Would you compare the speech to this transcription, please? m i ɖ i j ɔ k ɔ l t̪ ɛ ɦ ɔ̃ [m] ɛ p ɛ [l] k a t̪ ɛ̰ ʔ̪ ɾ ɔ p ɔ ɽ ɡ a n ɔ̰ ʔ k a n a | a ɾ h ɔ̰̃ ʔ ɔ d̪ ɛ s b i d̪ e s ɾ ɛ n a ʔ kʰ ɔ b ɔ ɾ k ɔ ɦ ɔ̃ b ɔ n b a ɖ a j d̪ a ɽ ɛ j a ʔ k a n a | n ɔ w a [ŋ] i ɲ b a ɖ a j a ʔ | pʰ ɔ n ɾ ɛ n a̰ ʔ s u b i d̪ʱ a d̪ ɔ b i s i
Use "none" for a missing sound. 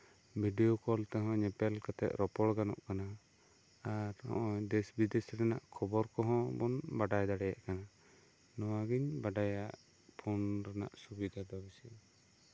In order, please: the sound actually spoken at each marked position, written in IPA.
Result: ɲ, l, ɡ

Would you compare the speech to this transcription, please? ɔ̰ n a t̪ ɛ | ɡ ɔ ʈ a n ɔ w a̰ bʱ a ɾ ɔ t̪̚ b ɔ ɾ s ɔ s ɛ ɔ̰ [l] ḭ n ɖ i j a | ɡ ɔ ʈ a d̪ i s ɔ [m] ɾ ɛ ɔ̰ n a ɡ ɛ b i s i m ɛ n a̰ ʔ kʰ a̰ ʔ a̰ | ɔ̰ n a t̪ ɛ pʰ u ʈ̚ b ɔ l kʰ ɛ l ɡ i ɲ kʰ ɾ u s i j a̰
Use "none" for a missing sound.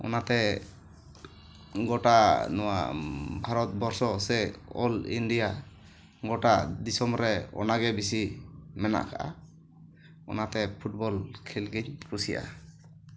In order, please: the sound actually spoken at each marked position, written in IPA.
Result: l, m

